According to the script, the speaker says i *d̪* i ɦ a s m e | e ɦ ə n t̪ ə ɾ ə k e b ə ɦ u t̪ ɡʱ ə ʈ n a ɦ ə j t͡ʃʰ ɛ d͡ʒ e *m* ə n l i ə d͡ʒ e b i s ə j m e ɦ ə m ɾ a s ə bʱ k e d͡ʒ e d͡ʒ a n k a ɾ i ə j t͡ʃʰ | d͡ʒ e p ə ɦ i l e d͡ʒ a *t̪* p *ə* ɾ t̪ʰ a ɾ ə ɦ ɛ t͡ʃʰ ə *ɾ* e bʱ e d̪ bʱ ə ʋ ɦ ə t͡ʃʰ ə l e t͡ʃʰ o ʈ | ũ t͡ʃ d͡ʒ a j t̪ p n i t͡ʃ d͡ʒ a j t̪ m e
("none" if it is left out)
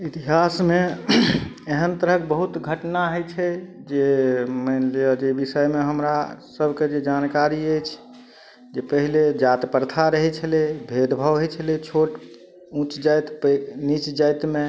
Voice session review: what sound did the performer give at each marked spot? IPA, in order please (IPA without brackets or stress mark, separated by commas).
t̪, m, t̪, ə, l